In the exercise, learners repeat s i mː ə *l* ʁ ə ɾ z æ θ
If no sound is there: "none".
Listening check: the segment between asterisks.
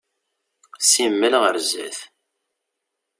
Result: l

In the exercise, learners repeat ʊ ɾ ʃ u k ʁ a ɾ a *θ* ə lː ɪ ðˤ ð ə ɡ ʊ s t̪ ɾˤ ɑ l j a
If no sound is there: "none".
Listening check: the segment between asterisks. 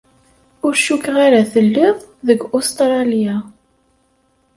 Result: θ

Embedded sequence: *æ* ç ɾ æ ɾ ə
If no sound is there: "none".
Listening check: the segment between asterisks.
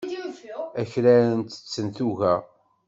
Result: æ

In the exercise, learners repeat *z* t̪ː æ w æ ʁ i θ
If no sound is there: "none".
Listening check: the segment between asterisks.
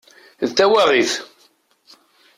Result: ð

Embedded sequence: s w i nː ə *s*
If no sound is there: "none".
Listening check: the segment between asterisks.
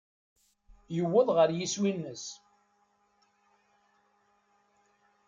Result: s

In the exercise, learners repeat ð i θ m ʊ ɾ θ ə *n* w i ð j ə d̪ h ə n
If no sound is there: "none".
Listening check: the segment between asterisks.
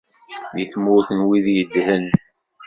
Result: n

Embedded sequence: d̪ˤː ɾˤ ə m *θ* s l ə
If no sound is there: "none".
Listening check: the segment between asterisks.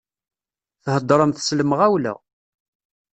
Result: θ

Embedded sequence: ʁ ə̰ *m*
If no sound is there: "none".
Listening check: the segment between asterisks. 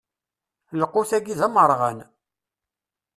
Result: n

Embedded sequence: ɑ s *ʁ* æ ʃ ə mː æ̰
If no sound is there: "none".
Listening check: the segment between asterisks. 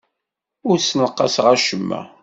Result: ʁ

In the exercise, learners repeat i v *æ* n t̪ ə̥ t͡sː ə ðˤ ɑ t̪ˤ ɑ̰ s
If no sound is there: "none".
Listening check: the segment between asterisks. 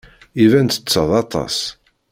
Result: æ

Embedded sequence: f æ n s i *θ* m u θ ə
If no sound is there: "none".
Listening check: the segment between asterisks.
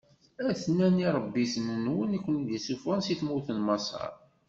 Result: θ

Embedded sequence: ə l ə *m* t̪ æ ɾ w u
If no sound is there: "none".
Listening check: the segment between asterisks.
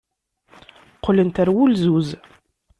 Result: n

